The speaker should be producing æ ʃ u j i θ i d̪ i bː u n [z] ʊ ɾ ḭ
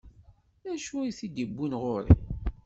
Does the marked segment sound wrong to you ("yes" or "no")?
yes